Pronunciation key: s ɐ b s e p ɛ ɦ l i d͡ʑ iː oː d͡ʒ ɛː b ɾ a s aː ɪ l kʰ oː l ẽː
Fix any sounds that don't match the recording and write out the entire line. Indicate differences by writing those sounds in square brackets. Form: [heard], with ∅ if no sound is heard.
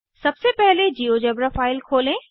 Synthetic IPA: s ɐ b s e p ɛ ɦ l [e] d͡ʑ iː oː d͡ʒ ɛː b ɾ a [f] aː ɪ l kʰ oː l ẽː